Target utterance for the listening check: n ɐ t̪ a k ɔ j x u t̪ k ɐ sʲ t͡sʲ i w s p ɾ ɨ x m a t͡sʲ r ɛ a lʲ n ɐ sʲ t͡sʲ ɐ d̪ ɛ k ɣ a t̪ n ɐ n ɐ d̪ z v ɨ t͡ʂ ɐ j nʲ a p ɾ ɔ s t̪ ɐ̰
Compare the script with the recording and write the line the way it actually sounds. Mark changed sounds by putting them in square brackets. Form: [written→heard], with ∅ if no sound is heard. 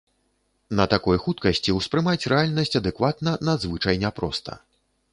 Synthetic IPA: n ɐ t̪ a k ɔ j x u t̪ k ɐ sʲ t͡sʲ i w s p ɾ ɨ [x→∅] m a t͡sʲ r ɛ a lʲ n ɐ sʲ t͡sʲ ɐ d̪ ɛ k [ɣ→v] a t̪ n ɐ n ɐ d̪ z v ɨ t͡ʂ ɐ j nʲ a p ɾ ɔ s t̪ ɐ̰